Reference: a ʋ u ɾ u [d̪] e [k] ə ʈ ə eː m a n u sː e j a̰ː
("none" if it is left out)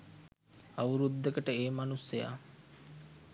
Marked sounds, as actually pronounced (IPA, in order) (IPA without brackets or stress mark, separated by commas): d̪ː, k